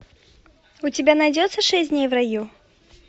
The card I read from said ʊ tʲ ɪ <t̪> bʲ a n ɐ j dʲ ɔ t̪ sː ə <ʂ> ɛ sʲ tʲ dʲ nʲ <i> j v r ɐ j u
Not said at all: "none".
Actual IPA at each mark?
none, ʂ, e

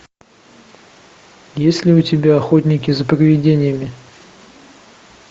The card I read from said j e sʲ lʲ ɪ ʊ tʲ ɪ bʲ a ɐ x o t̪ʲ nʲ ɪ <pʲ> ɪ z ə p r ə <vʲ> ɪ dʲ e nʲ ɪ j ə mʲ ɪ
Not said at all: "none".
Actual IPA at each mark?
kʲ, vʲ

